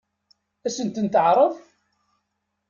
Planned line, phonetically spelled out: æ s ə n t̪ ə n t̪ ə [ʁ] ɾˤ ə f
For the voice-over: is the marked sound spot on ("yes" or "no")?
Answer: no